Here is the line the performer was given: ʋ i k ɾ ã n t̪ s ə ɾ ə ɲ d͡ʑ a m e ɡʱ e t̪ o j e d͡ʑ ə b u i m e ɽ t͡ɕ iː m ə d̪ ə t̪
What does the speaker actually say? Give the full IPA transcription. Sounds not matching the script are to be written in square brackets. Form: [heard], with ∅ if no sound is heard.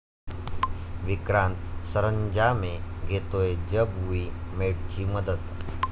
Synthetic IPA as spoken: ʋ i k ɾ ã n t̪ s ə ɾ ə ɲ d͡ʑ a m e ɡʱ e t̪ o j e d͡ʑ ə b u i m e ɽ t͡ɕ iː m ə d̪ ə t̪